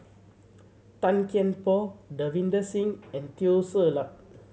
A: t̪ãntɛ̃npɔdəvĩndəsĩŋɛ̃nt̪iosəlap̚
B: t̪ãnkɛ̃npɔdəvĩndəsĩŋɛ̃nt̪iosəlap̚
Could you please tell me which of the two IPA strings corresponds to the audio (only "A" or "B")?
B